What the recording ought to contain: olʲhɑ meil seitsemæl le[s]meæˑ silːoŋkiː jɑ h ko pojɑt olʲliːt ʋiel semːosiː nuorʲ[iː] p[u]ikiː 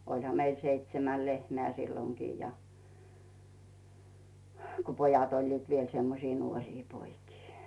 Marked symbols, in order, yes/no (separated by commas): no, yes, no